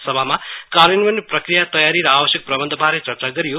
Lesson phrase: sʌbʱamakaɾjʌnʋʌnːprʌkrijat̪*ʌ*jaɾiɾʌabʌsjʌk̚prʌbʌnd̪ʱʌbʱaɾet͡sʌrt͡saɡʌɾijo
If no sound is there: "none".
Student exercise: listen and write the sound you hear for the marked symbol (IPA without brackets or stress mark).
ʌ